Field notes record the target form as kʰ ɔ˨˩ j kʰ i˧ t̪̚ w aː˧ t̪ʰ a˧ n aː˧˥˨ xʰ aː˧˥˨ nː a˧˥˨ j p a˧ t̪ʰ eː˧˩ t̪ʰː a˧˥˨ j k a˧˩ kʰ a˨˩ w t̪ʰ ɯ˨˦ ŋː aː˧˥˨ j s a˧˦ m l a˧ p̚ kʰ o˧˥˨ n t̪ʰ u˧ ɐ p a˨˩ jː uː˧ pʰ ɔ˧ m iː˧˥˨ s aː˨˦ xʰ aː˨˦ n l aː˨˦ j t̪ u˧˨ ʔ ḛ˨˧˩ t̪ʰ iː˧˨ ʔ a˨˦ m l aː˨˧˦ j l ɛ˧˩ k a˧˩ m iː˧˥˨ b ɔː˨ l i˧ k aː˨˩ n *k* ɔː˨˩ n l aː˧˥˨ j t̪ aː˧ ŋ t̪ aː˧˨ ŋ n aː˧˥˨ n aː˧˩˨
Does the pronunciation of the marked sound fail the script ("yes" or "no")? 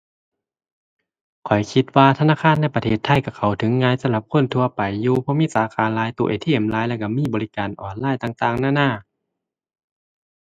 yes